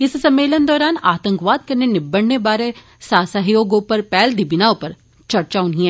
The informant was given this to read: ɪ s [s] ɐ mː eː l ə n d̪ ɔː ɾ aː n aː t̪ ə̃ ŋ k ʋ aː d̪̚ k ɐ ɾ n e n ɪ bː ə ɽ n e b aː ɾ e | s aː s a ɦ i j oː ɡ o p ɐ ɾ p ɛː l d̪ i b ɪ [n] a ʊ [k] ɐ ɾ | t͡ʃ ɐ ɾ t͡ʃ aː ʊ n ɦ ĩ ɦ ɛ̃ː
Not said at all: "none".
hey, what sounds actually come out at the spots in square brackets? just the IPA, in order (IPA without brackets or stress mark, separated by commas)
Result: s, n, p